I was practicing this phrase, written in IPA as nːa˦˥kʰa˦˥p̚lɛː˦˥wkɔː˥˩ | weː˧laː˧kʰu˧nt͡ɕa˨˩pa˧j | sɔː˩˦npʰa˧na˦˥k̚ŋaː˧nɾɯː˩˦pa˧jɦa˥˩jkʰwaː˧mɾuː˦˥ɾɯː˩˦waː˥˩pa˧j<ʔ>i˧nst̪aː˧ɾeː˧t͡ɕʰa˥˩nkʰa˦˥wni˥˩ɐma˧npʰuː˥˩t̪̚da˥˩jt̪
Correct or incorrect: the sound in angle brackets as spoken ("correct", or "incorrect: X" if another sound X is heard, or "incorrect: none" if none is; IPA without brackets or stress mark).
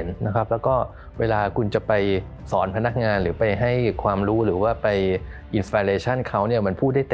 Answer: correct